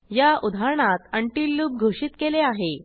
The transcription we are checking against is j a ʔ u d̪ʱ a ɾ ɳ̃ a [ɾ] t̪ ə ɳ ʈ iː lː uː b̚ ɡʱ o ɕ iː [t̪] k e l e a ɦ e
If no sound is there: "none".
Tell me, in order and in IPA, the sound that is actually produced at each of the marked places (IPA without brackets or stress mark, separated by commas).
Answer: none, t̪